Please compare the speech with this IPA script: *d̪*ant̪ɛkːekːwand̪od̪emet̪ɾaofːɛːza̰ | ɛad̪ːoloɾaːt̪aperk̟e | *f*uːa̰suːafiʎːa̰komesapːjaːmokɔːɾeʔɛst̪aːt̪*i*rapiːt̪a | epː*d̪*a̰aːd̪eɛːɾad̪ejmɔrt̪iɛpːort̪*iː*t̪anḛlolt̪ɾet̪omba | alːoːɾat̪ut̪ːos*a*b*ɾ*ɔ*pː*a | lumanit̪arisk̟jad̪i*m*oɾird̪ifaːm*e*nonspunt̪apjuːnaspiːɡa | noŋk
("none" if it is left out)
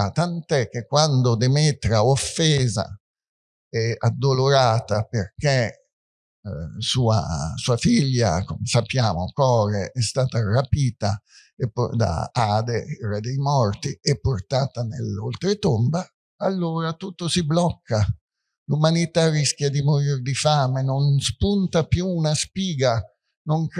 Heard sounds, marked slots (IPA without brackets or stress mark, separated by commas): t̪, s, a, d̪, aː, i, l, kː, m, e